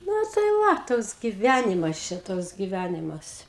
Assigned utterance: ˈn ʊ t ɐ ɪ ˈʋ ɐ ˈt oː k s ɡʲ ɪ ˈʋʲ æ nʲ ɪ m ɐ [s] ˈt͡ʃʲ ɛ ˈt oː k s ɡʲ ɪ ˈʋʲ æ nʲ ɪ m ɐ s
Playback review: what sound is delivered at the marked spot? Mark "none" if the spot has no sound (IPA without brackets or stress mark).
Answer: s